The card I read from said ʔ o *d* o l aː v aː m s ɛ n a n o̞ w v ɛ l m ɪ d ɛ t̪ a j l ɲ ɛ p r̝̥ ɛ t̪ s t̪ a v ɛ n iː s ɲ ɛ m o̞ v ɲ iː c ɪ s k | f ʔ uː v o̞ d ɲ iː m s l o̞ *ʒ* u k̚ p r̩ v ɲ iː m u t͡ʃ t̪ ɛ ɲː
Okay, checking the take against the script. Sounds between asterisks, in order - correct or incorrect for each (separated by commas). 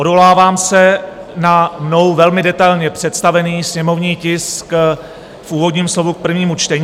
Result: correct, incorrect